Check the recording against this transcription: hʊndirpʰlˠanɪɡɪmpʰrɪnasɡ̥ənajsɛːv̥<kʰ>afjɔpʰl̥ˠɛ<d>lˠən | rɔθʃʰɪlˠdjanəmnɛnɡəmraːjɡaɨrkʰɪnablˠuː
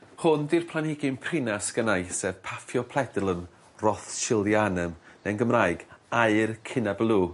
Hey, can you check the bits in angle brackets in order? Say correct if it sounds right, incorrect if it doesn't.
incorrect: pʰ, correct

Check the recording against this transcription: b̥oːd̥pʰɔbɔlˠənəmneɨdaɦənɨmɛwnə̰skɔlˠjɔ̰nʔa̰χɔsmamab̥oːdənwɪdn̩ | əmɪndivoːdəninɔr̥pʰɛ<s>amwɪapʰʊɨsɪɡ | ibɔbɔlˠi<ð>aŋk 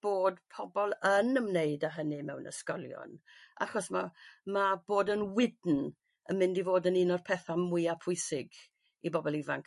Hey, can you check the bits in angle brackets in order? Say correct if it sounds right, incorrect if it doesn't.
incorrect: θ, incorrect: v

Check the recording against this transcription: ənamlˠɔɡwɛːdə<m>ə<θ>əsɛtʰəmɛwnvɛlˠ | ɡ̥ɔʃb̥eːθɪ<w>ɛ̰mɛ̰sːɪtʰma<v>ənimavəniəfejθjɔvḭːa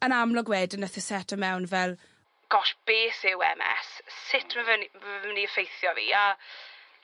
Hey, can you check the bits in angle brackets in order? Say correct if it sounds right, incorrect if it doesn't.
incorrect: n, correct, correct, correct

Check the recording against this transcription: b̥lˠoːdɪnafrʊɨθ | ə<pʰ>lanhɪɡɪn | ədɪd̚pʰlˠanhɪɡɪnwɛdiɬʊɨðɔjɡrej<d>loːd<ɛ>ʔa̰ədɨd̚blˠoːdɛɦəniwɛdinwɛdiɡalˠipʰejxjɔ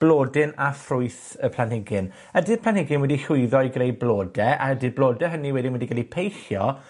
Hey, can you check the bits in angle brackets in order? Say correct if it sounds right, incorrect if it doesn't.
correct, incorrect: b, correct

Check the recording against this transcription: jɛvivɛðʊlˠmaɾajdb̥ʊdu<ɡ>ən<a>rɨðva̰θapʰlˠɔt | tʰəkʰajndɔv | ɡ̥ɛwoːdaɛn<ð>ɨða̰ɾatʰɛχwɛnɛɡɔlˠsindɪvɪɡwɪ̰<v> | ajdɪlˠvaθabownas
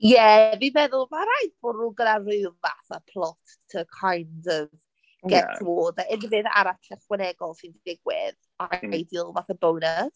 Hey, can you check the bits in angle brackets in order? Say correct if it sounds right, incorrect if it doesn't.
correct, correct, incorrect: v, incorrect: ð

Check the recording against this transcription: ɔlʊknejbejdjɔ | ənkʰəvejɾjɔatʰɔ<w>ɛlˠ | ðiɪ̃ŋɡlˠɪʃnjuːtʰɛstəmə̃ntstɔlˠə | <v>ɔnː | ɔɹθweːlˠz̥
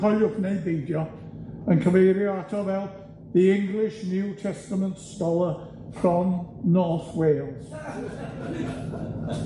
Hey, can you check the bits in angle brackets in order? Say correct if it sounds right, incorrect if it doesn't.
incorrect: v, incorrect: f

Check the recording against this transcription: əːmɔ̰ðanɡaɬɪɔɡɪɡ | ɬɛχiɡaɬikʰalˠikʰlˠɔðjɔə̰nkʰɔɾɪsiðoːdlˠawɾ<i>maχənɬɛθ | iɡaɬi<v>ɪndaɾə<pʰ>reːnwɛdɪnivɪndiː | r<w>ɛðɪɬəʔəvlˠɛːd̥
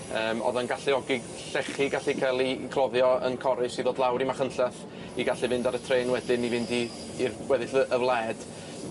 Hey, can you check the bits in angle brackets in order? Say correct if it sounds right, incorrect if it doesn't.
correct, correct, incorrect: tʰ, correct

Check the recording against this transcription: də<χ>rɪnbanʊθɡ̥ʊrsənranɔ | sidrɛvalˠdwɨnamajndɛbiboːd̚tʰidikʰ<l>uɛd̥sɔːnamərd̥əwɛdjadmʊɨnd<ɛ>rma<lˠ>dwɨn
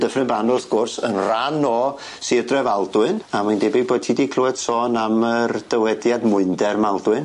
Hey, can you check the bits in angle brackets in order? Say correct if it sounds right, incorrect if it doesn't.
incorrect: f, correct, correct, correct

